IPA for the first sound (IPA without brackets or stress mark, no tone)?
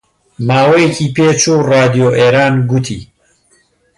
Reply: m